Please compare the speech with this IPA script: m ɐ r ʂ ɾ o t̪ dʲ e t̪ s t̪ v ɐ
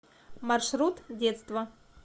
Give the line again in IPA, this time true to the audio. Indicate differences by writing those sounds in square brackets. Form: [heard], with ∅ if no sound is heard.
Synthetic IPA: m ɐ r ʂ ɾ [u] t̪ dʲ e t̪ s t̪ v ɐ

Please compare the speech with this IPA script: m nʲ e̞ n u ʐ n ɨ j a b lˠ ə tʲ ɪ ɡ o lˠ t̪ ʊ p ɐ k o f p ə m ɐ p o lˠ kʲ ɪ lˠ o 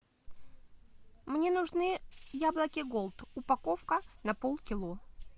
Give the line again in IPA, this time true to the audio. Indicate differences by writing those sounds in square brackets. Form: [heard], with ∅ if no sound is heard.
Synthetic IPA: m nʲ e̞ n [ʊ] ʐ n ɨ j a b lˠ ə [kʲ] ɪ ɡ o lˠ t̪ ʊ p ɐ k o f [k] ə [n] ɐ p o lˠ kʲ ɪ lˠ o

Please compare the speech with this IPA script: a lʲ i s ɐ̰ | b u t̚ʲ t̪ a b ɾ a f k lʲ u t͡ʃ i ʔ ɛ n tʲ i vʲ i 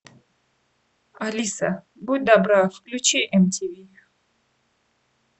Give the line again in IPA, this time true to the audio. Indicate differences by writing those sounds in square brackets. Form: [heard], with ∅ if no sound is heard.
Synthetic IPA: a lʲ i s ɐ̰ | b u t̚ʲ [d̪] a b ɾ a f k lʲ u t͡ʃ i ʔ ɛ [m] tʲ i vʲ i

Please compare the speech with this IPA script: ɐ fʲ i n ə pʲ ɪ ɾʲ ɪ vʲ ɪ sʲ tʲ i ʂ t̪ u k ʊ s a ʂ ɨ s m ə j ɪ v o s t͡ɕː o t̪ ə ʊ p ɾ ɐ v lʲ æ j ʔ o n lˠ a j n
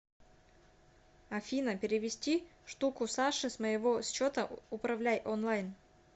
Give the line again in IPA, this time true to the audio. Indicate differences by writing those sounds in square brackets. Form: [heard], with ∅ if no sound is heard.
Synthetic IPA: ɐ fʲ i n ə pʲ ɪ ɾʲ ɪ vʲ ɪ sʲ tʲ i ʂ t̪ u k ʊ s a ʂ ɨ s m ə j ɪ v o s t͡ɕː o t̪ ə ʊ p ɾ ɐ v lʲ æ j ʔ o n lˠ a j n

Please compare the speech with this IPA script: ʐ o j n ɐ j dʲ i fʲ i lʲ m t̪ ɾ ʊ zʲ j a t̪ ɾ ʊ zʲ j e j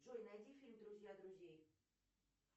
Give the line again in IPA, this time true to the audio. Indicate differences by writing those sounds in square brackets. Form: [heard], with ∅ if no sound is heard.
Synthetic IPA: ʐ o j n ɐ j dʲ i fʲ i lʲ m [d̪] ɾ ʊ zʲ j a [d̪] ɾ ʊ zʲ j e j

